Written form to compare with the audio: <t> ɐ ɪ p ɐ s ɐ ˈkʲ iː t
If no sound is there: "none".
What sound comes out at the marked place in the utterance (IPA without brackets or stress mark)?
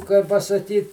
k